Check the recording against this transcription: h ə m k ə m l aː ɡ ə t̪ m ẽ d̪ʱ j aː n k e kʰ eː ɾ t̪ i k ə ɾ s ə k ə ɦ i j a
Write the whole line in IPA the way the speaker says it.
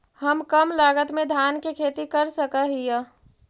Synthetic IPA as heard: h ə m k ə m l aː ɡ ə t̪ m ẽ d̪ʱ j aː n k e kʰ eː t̪ i k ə ɾ s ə k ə ɦ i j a

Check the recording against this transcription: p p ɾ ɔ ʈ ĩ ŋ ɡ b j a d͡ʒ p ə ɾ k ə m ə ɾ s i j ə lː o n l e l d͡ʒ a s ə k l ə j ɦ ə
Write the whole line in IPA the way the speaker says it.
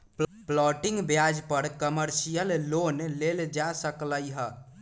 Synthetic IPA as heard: p p l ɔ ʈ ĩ ŋ ɡ b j a d͡ʒ p ə ɾ k ə m ə ɾ s i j ə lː o n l e l d͡ʒ a s ə k l ə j ɦ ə

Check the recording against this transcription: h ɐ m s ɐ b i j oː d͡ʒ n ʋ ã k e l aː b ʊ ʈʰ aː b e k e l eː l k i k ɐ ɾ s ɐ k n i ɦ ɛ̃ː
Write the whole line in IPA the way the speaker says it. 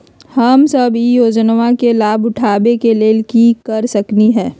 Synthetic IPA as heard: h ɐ m s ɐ b i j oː d͡ʒ n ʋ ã k e l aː b ʊ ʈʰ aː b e k e l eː l k i k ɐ ɾ s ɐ k n i ɦ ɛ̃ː

